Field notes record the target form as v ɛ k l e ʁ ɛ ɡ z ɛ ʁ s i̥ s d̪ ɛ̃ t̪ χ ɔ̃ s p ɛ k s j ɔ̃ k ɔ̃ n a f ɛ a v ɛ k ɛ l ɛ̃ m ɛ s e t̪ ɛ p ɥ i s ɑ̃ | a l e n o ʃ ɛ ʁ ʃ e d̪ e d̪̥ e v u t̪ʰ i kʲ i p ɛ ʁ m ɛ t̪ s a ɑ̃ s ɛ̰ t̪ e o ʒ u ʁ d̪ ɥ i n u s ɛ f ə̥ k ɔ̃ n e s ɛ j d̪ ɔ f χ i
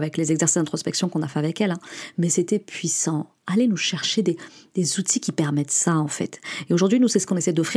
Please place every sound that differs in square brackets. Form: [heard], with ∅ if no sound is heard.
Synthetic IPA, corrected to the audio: v ɛ k l e [z] ɛ ɡ z ɛ ʁ s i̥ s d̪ ɛ̃ t̪ χ [ɔ] s p ɛ k s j ɔ̃ k ɔ̃ n a f ɛ a v ɛ k ɛ l ɛ̃ m ɛ s e t̪ ɛ p ɥ i s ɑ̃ | a l e n [u] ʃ ɛ ʁ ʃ e d̪ e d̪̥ e [z] u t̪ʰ i kʲ i p ɛ ʁ m ɛ t̪ s a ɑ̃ [f] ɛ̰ t̪ e o ʒ u ʁ d̪ ɥ i n u s ɛ [s] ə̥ k ɔ̃ n e s ɛ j d̪ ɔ f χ i